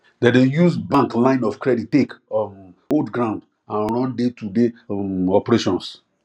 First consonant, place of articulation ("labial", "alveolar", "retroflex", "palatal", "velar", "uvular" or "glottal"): alveolar